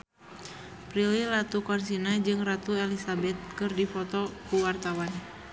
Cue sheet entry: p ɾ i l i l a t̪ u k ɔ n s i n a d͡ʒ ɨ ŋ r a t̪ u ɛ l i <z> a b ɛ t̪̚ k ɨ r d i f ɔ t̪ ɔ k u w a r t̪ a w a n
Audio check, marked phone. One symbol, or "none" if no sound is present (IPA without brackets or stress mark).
s